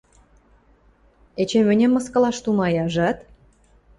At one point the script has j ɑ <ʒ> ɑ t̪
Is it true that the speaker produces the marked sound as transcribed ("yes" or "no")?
yes